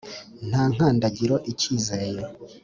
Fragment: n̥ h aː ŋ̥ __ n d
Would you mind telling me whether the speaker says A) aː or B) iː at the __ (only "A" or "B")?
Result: A